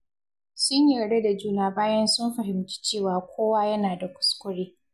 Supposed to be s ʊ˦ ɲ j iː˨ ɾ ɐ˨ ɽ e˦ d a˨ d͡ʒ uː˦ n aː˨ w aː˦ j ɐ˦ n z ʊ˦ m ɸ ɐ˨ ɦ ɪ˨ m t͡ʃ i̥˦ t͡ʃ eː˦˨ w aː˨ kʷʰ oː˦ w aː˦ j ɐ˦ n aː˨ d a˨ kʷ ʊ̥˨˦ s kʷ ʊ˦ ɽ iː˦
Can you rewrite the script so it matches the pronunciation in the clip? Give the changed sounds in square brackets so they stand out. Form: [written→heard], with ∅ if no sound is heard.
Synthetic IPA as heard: s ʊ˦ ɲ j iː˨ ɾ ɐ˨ ɽ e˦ d a˨ d͡ʒ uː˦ n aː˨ [w→b] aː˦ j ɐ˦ n [z→s] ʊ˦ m ɸ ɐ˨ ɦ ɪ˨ m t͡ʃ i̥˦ t͡ʃ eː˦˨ w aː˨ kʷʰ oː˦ w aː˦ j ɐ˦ n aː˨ d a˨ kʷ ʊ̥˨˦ s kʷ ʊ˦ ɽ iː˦